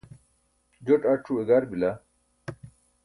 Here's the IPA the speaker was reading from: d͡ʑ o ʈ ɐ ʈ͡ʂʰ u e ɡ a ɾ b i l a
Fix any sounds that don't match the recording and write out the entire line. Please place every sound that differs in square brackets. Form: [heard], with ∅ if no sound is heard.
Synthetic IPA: d͡ʑ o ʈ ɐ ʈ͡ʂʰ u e ɡ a ɾ b i l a